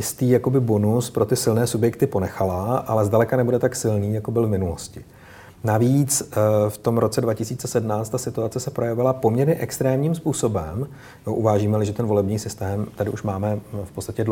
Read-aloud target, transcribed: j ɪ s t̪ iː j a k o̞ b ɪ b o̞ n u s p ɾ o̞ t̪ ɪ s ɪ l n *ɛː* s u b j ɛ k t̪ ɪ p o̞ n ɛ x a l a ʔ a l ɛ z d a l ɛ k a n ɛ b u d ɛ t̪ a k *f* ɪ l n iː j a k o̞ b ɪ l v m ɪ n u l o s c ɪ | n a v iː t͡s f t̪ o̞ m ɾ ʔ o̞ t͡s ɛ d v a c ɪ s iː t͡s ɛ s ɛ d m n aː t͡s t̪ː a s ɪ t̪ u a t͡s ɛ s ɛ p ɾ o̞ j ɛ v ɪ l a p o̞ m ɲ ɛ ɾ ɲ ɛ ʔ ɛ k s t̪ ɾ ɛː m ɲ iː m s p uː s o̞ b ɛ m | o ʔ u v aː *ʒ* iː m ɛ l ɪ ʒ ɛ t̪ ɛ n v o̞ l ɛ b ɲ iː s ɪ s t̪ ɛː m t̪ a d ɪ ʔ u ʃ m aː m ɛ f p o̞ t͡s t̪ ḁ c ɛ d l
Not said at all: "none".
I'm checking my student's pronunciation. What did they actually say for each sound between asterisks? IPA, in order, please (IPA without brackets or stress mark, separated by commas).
ɛː, s, ʒ